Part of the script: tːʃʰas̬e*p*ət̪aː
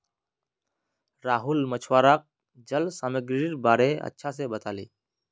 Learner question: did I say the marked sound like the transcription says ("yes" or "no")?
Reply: no